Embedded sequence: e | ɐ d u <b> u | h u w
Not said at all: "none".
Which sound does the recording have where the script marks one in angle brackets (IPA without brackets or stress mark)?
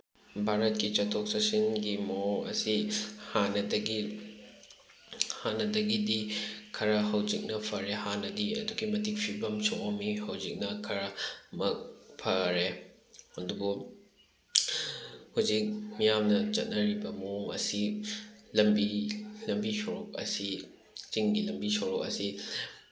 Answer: b